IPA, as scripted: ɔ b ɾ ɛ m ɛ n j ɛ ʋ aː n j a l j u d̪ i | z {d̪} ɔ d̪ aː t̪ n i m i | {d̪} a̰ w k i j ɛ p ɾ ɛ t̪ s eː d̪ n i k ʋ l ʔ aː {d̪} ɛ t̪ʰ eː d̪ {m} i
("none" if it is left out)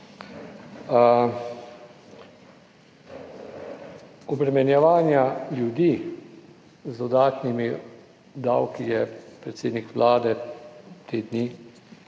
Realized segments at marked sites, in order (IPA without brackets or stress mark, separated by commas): d̪, d̪, d̪, n